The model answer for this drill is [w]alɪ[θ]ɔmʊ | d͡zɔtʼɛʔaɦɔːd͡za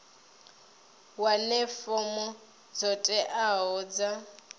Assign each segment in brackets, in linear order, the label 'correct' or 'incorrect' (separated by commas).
correct, incorrect